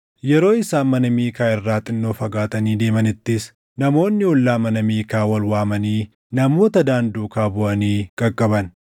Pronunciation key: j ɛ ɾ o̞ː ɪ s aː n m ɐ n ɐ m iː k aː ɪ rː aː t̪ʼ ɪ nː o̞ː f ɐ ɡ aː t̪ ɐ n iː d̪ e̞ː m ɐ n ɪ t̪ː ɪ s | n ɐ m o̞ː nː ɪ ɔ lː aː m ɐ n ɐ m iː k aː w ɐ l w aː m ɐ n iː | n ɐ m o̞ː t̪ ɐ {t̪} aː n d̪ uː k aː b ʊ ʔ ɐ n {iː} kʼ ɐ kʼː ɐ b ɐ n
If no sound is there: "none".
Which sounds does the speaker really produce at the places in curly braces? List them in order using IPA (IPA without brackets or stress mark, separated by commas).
d̪, iː